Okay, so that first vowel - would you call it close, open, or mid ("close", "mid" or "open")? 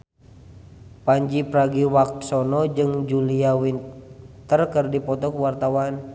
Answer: open